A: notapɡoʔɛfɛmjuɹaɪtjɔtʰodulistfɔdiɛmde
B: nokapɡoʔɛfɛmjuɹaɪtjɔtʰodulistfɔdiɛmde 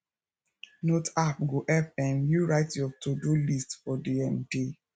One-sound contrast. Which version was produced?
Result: A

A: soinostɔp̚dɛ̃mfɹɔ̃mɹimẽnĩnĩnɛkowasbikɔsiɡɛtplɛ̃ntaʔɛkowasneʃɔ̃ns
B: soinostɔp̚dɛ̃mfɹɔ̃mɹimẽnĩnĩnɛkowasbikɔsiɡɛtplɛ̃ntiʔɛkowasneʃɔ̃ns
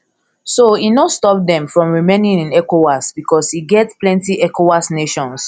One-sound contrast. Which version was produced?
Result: B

